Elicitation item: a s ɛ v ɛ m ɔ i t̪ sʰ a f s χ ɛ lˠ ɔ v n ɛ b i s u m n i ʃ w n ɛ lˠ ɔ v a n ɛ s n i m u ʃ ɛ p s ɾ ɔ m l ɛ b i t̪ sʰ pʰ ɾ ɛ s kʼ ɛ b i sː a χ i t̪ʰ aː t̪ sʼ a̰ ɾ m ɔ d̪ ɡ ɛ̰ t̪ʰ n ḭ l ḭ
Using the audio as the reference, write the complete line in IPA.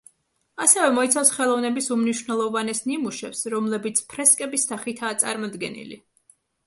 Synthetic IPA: a s ɛ v ɛ m ɔ i t̪ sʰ a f s χ ɛ lˠ ɔ v n ɛ b i s u m n i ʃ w n ɛ lˠ ɔ v a n ɛ s n i m u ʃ ɛ p s ɾ ɔ m l ɛ b i t̪ sʰ pʰ ɾ ɛ s kʼ ɛ b i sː a χ i t̪ʰ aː t̪ sʼ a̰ ɾ m ɔ d̪ ɡ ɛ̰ n ḭ l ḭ